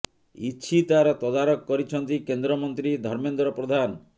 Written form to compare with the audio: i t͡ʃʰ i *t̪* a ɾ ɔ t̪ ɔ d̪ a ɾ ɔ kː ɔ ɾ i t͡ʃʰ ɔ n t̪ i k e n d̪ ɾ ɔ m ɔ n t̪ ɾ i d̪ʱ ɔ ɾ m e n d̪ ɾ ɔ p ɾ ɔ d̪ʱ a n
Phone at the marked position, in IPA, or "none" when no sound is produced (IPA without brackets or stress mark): t̪